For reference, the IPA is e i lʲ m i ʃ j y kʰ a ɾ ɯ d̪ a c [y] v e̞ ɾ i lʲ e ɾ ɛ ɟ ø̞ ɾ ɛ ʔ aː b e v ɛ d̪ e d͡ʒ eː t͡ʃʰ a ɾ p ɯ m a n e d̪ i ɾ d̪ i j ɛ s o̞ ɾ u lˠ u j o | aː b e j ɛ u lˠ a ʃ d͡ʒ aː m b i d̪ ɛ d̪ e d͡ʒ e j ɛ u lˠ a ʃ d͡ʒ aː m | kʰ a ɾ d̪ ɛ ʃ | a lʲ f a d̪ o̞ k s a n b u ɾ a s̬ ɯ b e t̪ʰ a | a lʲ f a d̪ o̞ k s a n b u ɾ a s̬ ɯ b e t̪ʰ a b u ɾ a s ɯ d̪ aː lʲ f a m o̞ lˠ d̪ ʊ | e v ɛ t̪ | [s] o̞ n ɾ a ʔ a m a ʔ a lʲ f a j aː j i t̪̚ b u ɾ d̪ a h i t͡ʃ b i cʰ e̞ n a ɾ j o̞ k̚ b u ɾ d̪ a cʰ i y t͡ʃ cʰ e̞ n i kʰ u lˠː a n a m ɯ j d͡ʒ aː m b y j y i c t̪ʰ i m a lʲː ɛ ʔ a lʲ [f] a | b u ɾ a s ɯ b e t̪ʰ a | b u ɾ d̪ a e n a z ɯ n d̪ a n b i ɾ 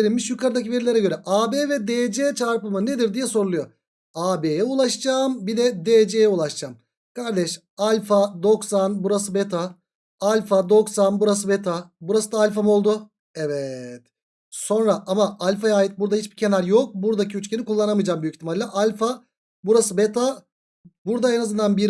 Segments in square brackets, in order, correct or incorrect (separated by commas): incorrect, correct, correct